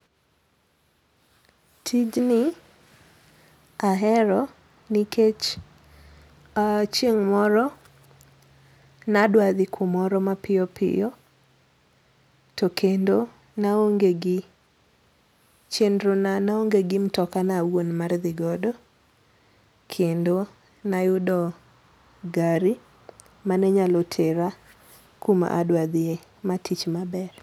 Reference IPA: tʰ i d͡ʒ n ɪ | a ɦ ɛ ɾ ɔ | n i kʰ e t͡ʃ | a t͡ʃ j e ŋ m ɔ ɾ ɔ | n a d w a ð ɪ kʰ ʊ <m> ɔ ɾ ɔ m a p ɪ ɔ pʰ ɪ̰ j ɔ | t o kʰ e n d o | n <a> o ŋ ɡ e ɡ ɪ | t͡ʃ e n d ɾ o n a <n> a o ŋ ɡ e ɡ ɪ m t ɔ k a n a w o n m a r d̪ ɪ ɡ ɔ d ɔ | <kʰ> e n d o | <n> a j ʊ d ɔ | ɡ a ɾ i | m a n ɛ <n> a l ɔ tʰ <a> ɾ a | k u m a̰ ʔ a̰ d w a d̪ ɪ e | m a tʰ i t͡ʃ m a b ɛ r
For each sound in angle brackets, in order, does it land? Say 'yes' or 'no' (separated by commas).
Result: yes, yes, yes, yes, yes, no, no